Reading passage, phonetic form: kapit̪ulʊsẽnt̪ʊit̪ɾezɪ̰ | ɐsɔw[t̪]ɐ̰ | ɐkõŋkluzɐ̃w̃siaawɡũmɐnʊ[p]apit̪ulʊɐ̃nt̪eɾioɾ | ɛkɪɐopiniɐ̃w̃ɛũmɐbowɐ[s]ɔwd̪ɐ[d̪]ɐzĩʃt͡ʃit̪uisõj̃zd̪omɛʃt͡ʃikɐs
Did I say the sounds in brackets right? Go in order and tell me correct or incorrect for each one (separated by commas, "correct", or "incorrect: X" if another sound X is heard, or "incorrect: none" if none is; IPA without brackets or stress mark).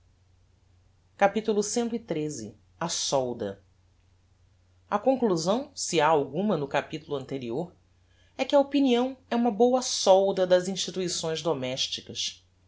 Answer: incorrect: d̪, incorrect: k, correct, correct